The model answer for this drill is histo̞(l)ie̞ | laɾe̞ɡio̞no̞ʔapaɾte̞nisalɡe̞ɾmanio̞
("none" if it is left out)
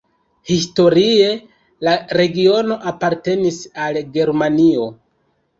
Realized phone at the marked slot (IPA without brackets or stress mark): ɾ